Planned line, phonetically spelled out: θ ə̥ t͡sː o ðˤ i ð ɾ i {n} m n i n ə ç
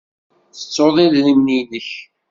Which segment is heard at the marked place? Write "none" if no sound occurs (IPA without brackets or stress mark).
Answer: none